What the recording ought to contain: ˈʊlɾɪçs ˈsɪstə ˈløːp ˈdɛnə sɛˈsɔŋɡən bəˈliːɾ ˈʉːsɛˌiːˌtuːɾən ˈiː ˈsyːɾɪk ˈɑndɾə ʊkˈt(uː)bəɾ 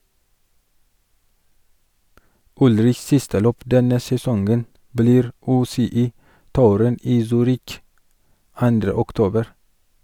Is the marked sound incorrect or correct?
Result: incorrect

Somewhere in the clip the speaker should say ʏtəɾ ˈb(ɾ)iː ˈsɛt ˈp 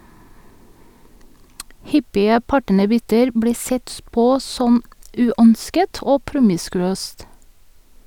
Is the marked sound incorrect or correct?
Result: incorrect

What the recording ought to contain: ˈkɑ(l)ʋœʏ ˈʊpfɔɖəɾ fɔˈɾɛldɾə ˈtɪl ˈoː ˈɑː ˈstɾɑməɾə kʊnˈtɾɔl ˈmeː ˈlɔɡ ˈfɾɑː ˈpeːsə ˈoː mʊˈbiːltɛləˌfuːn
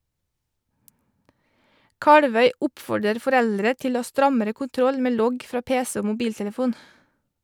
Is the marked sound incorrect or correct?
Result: incorrect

